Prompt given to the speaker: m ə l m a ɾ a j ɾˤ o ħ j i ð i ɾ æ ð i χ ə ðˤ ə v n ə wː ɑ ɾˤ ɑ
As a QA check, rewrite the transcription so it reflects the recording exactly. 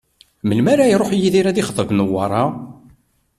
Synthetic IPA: m ə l m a ɾ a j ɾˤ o ħ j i ð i ɾ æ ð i χ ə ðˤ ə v n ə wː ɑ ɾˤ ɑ